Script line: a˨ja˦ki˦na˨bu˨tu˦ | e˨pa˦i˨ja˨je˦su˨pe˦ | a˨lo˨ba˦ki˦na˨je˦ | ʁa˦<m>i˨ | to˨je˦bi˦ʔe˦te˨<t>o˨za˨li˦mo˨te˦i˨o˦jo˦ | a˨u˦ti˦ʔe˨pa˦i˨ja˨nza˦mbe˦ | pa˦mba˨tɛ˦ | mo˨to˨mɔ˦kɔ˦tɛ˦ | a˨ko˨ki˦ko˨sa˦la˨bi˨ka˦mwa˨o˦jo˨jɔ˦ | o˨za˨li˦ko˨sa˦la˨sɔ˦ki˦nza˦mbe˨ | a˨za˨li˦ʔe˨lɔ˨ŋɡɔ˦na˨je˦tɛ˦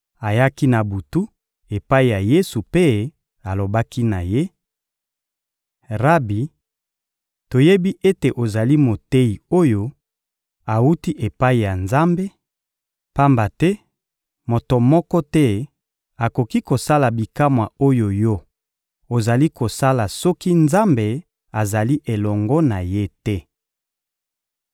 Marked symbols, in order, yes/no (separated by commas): no, no